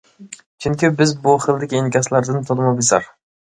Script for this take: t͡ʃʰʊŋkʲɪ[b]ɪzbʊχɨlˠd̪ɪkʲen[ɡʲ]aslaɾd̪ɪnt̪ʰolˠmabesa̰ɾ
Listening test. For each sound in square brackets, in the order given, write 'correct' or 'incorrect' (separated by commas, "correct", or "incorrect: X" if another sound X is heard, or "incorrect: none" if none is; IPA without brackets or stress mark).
correct, incorrect: kʲ